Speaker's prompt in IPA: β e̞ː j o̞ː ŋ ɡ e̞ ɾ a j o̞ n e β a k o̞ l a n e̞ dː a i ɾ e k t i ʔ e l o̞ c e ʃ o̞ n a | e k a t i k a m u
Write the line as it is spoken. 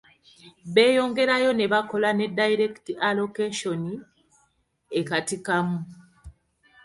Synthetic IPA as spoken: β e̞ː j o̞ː ŋ ɡ e̞ ɾ a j o̞ n e β a k o̞ l a n e̞ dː a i ɾ e k t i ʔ a l o̞ k e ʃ o̞ n i | e k a t i k a m u